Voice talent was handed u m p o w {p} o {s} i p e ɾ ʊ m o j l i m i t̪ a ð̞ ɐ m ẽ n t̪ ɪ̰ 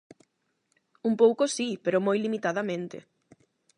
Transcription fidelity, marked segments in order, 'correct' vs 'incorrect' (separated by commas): incorrect, correct